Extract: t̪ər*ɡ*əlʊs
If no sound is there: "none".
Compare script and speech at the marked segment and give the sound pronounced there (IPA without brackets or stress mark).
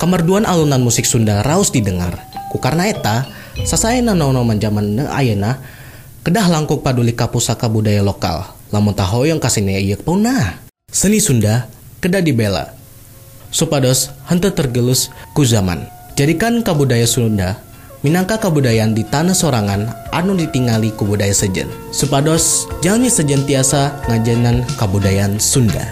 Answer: ɡ